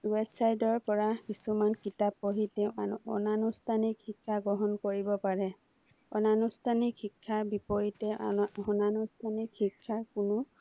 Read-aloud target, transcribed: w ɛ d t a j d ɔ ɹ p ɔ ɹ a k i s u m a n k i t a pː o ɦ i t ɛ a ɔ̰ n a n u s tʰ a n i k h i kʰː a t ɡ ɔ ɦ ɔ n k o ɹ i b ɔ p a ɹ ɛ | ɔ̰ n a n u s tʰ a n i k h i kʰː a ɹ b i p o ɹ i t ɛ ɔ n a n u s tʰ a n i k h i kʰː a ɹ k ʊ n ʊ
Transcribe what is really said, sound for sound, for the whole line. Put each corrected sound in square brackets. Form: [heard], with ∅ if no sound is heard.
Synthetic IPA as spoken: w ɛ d [s] a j d ɔ ɹ p ɔ ɹ a k i s u m a n k i t a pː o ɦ i t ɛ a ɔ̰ n a n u s tʰ a n i k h i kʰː a [∅] ɡ ɔ ɦ ɔ n k o ɹ i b ɔ p a ɹ ɛ | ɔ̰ n a n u s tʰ a n i k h i kʰː a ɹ b i p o ɹ i t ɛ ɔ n a n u s tʰ a n i k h i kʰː a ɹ k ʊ n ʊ